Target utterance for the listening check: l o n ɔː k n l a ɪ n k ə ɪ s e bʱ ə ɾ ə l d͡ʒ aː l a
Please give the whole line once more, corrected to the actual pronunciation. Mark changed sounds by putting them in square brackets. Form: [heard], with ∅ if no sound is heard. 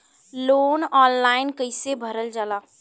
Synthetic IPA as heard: l o n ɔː [∅] n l a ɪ n k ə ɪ s e bʱ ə ɾ ə l d͡ʒ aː l a